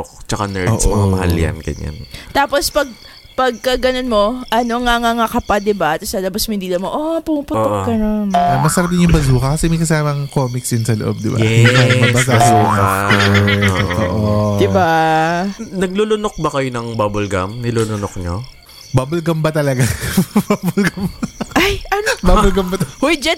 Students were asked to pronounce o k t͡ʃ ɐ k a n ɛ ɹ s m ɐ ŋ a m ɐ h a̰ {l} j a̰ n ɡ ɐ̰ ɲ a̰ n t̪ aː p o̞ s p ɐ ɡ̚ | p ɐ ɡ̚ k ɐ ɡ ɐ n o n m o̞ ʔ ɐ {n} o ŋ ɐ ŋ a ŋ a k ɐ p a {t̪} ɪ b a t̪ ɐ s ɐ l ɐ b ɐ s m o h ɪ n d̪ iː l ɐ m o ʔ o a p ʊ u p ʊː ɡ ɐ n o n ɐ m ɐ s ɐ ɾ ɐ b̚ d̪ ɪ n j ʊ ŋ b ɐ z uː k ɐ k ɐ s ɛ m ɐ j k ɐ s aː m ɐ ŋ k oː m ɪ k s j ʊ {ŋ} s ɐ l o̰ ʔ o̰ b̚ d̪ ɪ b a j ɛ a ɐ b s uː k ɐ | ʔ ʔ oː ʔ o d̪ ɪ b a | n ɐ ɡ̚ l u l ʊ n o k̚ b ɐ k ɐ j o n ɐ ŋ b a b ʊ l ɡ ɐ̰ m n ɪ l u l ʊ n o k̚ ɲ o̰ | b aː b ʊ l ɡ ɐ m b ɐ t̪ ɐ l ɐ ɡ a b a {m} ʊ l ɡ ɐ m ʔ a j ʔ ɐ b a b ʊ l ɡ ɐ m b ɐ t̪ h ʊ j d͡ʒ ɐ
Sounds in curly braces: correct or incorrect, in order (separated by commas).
correct, correct, incorrect, incorrect, incorrect